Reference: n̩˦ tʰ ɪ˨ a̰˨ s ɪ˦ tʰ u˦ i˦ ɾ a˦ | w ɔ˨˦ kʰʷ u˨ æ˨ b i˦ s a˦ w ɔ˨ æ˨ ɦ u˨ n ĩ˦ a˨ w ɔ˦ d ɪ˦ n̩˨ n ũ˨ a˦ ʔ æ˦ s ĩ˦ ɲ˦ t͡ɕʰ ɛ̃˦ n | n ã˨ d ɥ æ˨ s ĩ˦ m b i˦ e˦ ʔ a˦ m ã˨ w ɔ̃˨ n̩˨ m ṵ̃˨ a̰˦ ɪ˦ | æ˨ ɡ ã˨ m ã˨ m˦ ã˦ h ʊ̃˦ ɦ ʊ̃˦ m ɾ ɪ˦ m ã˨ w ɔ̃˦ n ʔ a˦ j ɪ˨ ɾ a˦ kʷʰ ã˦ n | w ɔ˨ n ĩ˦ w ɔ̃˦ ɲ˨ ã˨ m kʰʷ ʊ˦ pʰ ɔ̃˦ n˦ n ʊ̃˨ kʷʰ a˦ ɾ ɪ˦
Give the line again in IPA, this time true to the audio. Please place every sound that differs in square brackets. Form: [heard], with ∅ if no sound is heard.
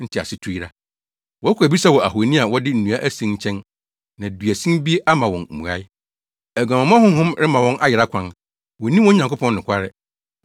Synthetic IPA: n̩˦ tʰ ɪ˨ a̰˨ s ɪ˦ tʰ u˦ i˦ ɾ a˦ | w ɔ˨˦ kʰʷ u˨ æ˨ b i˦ s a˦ w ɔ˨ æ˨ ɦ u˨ n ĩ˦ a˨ w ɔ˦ d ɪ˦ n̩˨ n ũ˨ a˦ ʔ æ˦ s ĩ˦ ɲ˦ t͡ɕʰ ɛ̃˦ n | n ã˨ d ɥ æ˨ s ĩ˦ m b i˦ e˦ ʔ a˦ m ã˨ w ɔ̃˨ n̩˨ m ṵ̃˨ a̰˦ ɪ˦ | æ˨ ɡ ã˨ m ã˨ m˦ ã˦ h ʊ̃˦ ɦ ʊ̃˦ m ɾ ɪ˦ m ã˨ w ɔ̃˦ n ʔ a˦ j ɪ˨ ɾ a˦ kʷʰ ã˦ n | w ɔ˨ n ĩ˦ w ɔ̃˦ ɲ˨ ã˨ [ŋ] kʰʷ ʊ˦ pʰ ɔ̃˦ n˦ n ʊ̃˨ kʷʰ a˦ ɾ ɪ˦